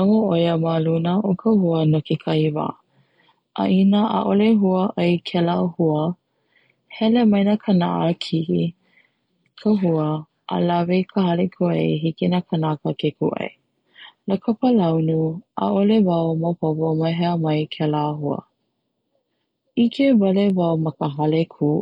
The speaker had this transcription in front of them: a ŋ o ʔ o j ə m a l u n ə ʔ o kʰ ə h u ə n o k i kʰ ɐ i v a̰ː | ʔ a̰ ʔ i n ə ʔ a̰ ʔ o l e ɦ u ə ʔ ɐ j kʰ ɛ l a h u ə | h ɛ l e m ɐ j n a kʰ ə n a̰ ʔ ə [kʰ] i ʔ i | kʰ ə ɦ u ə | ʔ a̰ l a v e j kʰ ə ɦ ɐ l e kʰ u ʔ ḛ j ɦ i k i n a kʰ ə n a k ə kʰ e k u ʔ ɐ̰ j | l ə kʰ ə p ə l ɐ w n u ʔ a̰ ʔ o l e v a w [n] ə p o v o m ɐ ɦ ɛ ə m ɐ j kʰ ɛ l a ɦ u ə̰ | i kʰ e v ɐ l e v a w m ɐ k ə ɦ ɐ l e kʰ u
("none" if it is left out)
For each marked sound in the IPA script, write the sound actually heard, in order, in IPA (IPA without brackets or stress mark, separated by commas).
kʰ, m